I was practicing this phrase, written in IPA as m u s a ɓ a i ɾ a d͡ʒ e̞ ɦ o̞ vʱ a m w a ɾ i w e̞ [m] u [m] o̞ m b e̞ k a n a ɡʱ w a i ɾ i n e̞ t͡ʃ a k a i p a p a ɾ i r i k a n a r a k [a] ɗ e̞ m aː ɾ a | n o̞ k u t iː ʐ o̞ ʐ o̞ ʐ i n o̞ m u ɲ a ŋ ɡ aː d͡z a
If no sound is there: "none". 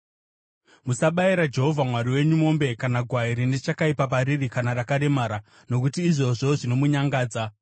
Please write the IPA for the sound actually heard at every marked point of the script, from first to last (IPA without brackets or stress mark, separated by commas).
ɲ, m, a